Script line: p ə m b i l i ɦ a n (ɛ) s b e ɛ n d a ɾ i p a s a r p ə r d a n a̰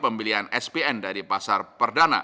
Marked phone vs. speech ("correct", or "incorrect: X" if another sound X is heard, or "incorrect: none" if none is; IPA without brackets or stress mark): correct